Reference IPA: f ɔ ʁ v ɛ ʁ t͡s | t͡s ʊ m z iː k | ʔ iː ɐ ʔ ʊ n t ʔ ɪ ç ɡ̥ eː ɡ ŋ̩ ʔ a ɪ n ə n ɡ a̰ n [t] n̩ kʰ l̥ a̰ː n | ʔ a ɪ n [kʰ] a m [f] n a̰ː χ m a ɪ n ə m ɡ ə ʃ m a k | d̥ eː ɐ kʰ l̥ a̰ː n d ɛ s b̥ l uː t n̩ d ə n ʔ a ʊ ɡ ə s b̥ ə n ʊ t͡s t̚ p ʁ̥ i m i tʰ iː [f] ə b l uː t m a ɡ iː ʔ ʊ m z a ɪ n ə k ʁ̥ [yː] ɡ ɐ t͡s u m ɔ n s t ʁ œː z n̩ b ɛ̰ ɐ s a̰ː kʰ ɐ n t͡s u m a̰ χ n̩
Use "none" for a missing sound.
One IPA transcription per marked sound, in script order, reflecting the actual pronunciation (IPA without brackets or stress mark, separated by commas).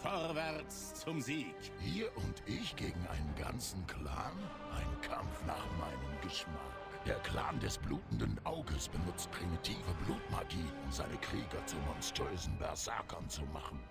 t͡s, kʰ, f, v, iː